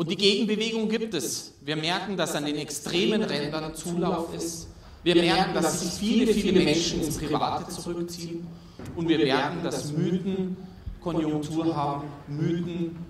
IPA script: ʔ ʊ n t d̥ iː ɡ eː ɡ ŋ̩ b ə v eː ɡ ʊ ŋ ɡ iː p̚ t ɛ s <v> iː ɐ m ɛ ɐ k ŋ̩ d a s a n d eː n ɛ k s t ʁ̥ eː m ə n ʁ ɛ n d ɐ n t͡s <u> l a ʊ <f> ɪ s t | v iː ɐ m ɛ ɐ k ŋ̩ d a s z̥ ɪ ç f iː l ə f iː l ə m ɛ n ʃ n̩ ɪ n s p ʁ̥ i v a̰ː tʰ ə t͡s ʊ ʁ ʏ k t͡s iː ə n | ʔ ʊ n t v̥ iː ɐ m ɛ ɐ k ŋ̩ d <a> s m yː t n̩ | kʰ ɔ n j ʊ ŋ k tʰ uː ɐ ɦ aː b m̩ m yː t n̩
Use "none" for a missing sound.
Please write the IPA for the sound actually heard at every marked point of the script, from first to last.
v, uː, f, a

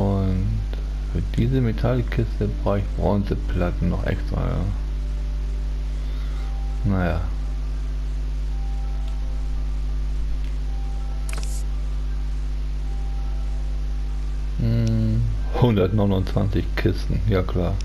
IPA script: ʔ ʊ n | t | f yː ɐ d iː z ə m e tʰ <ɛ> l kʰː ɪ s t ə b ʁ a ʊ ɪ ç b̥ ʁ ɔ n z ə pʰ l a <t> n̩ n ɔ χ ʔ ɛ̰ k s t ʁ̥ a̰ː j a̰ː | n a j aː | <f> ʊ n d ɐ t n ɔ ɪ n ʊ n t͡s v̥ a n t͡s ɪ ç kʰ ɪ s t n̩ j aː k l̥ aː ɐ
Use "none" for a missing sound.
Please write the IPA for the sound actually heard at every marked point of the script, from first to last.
a, t, h

